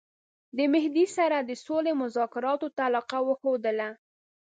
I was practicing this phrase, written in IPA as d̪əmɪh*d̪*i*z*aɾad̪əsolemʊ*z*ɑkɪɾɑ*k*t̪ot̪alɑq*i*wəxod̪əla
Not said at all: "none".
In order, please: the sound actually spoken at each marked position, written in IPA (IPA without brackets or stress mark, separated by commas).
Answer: d̪, s, z, none, a